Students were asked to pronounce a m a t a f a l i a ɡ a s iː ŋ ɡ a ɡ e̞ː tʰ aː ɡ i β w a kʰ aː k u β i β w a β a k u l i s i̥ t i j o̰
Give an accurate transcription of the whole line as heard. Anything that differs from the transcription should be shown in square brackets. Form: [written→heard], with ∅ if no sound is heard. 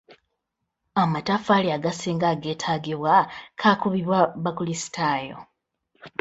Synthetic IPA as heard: a m a t a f a l i a ɡ a s iː ŋ ɡ a ɡ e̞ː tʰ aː ɡ i β w a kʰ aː k u β i β w a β a k u l i s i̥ t [i→a] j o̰